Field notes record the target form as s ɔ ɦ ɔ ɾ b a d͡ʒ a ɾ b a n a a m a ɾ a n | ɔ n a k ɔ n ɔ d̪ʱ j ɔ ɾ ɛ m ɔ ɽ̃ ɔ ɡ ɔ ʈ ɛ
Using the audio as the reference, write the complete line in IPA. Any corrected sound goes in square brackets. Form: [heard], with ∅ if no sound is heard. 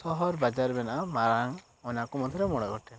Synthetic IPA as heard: s ɔ ɦ ɔ ɾ b a d͡ʒ a ɾ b [ɛ] n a a m a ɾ a [ŋ] | ɔ n a k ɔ [m] ɔ d̪ʱ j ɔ ɾ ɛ m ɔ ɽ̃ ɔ ɡ ɔ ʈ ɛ